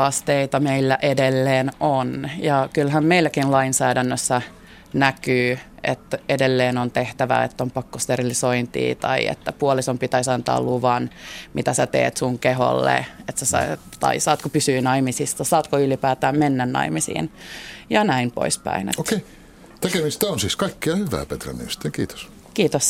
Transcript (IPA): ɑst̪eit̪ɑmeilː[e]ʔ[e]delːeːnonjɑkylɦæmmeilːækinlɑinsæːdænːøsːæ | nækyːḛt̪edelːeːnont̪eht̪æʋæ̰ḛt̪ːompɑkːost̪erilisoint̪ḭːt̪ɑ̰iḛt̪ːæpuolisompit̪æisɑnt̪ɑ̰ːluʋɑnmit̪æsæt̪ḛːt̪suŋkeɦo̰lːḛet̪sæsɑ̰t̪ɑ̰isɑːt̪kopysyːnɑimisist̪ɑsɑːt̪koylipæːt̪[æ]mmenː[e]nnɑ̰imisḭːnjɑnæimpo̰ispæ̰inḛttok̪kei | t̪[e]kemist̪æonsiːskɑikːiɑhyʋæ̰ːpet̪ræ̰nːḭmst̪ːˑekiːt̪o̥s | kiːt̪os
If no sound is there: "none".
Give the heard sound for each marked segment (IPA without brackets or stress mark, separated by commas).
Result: æ, e, æː, æ, e